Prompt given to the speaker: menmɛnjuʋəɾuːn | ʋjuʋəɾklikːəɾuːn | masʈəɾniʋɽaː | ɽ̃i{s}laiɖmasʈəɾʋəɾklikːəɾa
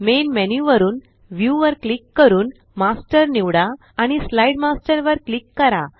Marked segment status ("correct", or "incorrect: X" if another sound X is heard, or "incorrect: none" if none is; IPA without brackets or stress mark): correct